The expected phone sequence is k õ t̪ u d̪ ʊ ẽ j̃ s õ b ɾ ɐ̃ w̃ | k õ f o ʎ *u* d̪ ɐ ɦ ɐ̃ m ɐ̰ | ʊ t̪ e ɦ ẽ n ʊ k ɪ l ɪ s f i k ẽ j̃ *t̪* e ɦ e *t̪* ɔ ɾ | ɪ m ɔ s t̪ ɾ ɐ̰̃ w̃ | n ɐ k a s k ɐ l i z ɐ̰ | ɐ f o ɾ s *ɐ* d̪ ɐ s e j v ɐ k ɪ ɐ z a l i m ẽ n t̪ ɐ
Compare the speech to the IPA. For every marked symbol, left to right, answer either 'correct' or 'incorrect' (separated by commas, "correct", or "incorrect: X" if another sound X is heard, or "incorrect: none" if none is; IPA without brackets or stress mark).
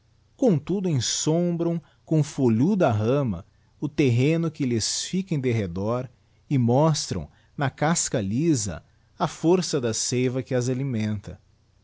correct, incorrect: d̪, incorrect: d̪, correct